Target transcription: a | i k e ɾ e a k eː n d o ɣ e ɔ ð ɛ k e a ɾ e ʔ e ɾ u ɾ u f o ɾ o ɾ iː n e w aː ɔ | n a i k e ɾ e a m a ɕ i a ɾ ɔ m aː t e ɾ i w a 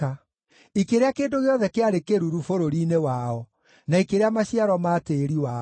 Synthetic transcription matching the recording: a | i k e ɾ e a k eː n d o ɣ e ɔ ð ɛ k e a ɾ e k e ɾ u ɾ u f o ɾ o ɾ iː n e w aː ɔ | n a i k e ɾ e a m a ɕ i a ɾ ɔ m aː t e ɾ i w a